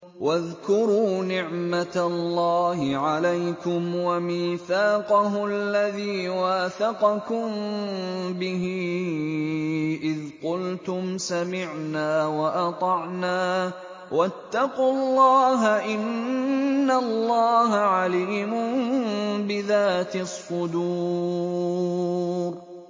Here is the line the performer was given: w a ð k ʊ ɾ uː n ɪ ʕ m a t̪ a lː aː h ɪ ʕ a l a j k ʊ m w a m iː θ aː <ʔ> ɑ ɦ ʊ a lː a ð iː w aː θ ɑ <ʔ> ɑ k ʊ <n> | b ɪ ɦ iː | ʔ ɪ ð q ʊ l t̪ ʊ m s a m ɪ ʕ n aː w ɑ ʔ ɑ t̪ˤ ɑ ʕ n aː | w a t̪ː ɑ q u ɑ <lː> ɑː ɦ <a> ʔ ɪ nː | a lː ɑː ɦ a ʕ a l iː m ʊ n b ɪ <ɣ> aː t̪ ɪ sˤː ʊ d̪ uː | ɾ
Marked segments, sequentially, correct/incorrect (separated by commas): incorrect, incorrect, incorrect, correct, correct, incorrect